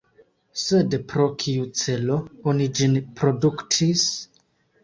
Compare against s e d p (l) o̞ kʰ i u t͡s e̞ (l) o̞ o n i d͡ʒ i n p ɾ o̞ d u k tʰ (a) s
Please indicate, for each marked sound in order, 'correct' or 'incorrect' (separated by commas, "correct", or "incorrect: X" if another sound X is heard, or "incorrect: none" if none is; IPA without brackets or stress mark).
incorrect: ɾ, correct, incorrect: i